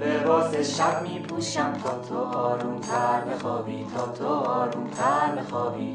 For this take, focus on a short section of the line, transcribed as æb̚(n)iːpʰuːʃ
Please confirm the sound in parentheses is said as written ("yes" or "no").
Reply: no